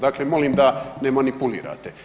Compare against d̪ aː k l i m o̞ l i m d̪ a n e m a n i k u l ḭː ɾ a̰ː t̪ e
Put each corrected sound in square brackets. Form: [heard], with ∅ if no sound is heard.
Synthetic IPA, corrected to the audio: d̪ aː k l [e] m o̞ l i m d̪ a n e m a n i [p] u l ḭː ɾ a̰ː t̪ e

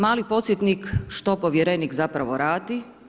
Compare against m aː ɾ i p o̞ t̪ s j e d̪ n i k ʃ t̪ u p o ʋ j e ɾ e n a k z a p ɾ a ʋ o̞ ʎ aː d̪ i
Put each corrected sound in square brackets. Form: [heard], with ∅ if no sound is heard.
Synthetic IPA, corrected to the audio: m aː [l] i p o̞ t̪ s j e [t̪] n i k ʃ t̪ [o] p o ʋ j e ɾ e n [i] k z a p ɾ a ʋ o̞ [ɾ] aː d̪ i

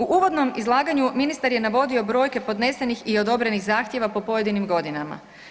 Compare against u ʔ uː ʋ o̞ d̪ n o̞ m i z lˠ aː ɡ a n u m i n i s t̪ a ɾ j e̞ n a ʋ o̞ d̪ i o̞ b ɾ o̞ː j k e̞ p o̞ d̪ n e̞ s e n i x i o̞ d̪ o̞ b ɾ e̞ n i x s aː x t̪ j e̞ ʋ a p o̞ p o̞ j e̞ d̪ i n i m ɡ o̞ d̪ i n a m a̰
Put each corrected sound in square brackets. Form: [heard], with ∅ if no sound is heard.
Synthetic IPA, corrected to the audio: u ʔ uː ʋ o̞ d̪ n o̞ m i z lˠ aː ɡ a [ɲ] u m i n i s t̪ a ɾ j e̞ n a ʋ o̞ d̪ i o̞ b ɾ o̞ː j k e̞ p o̞ d̪ n e̞ s e n i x i o̞ d̪ o̞ b ɾ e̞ n i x [z] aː x t̪ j e̞ ʋ a p o̞ p o̞ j e̞ d̪ i n i m ɡ o̞ d̪ i n a m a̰

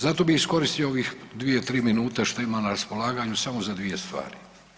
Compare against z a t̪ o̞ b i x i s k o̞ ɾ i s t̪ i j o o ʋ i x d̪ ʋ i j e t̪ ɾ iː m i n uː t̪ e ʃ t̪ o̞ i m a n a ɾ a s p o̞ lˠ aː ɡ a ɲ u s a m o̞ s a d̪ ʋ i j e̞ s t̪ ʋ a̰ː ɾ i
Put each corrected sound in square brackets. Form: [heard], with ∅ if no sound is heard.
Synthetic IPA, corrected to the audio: z a t̪ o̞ b i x i s k o̞ ɾ i s t̪ i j o o ʋ i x d̪ ʋ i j e t̪ ɾ iː m i n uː t̪ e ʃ t̪ o̞ i m a n a ɾ a s p o̞ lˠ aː ɡ a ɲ u s a m o̞ [z] a d̪ ʋ i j e̞ s t̪ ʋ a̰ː ɾ i

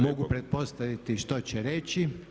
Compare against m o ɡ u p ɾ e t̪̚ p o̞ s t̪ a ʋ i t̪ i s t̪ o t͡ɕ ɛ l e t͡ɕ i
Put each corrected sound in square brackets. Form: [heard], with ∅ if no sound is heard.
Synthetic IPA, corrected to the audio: m o ɡ u p ɾ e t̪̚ p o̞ s t̪ a ʋ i t̪ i [ʃ] t̪ o t͡ɕ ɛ [ɾ] e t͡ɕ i

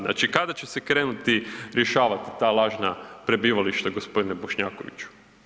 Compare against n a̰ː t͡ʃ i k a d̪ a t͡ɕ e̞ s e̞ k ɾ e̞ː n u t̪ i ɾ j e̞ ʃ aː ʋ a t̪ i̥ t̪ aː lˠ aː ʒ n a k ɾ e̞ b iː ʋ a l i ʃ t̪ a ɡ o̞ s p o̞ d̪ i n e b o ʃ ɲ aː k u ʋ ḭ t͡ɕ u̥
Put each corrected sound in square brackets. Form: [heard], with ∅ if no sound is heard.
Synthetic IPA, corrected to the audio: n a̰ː t͡ʃ i k a d̪ a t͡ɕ e̞ s e̞ k ɾ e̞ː n u t̪ i ɾ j e̞ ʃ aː ʋ a t̪ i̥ t̪ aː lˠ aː ʒ n a [p] ɾ e̞ b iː ʋ a l i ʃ t̪ a ɡ o̞ s p o̞ d̪ i n e b o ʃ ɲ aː k [o] ʋ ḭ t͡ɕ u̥

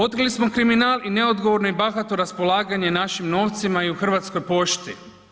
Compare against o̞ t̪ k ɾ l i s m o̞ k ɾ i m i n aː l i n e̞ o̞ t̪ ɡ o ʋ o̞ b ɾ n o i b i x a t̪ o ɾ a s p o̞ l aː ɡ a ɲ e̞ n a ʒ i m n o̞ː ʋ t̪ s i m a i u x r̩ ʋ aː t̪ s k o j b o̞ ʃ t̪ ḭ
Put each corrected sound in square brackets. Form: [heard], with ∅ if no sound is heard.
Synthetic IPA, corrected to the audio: o̞ t̪ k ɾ l i s m o̞ k ɾ i m i n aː l i n e̞ o̞ [d̪] ɡ o ʋ o̞ [∅] ɾ n o i b [a] x a t̪ o ɾ a s p o̞ l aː ɡ a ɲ e̞ n a [ʃ] i m n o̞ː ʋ t̪ s i m a i u x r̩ ʋ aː t̪ s k o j [p] o̞ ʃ t̪ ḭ

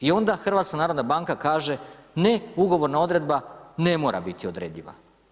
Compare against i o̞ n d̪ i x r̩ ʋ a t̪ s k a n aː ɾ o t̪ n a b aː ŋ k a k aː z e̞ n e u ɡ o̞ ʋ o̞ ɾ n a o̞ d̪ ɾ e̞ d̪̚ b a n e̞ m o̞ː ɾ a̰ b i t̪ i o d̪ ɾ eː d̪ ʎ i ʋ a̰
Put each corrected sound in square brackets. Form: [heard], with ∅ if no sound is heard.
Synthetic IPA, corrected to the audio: i o̞ n d̪ [a] x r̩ ʋ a t̪ s k a n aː ɾ o [d̪] n a b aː ŋ k a k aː [ʒ] e̞ n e u ɡ o̞ ʋ o̞ ɾ n a o̞ d̪ ɾ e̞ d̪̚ b a n e̞ m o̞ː ɾ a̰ b i t̪ i o d̪ ɾ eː d̪ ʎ i ʋ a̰

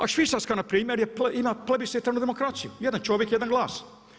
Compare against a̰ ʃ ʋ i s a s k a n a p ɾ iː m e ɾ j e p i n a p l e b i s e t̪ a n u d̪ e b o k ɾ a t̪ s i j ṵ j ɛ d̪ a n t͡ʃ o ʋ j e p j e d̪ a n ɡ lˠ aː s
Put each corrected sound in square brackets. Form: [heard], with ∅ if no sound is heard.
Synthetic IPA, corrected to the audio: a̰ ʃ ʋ i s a s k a n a p ɾ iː m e ɾ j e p i [m] a p l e b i s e t̪ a n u d̪ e [m] o k ɾ a t̪ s i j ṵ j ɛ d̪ a n t͡ʃ o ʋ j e [k] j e d̪ a n ɡ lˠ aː s

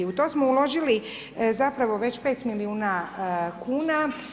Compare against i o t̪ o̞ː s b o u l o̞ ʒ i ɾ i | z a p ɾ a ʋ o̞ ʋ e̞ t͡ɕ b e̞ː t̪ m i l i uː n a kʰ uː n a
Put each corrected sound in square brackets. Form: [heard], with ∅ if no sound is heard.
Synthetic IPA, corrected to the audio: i [u] t̪ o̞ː s [m] o u l o̞ ʒ i [l] i | z a p ɾ a ʋ o̞ ʋ e̞ t͡ɕ [p] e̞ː t̪ m i l i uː n a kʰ uː n a

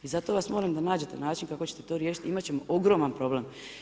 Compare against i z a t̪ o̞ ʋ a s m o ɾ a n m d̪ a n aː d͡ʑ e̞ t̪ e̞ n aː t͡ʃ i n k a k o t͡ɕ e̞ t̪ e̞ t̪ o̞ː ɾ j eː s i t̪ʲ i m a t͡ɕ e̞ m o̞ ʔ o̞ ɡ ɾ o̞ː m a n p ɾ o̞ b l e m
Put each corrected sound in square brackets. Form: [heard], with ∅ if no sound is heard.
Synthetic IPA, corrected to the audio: i z a t̪ o̞ ʋ a s m o ɾ a [∅] m d̪ a n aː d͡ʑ e̞ t̪ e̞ n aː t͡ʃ i n k a k o t͡ɕ e̞ t̪ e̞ t̪ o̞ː ɾ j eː [ʃ] i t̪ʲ i m a t͡ɕ e̞ m o̞ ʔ o̞ ɡ ɾ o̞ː m a n p ɾ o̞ b l e m

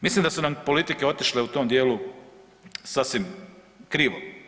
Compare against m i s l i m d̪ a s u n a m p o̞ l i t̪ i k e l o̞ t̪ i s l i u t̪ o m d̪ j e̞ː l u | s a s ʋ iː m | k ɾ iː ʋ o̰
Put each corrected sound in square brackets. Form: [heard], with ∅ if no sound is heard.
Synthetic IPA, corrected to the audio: m i s l i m d̪ a s u n a m p o̞ l i t̪ i k e [∅] o̞ t̪ i [ʃ] l [e] u t̪ o m d̪ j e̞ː l u | s a s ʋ [i] m | k ɾ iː ʋ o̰

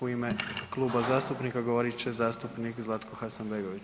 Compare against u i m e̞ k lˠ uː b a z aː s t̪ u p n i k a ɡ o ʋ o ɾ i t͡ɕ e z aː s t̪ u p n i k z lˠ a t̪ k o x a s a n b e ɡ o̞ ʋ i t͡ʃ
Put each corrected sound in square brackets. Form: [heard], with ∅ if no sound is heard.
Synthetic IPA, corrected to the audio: u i m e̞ k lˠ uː b a z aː s t̪ u p n i k a ɡ o ʋ o ɾ i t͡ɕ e z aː s t̪ u p n i k z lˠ a t̪ k o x a s a n b e ɡ o̞ ʋ i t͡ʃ

